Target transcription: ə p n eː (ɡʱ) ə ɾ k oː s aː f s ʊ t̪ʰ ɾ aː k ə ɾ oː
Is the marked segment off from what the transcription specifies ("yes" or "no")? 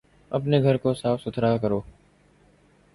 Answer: no